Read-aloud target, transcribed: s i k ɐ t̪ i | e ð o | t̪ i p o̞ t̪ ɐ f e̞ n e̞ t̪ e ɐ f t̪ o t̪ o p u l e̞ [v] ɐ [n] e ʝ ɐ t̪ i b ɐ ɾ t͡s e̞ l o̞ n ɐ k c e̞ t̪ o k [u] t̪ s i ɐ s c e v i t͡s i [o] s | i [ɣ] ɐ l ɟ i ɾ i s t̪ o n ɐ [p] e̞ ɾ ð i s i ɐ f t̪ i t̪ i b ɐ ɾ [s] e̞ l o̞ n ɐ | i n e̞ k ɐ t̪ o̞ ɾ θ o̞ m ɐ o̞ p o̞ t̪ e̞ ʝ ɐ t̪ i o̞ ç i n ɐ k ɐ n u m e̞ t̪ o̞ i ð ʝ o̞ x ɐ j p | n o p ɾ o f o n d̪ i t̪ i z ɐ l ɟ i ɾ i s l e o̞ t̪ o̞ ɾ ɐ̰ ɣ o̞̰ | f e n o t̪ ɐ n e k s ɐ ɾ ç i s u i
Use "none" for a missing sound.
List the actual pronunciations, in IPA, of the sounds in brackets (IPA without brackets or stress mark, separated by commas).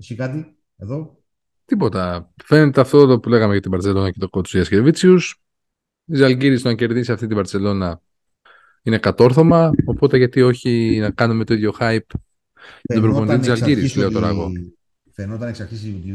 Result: ɣ, m, o, u, z, c, t͡s